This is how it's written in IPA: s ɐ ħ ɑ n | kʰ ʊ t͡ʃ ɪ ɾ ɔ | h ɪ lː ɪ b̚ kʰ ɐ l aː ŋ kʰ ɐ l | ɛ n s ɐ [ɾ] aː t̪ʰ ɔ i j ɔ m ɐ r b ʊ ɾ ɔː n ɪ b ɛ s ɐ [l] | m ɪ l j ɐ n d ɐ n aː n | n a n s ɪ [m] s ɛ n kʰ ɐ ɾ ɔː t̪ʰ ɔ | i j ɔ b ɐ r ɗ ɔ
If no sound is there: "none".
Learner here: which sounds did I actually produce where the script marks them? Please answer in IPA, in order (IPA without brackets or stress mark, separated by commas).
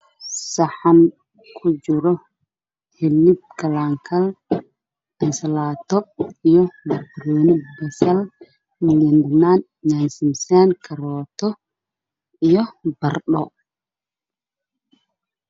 l, l, m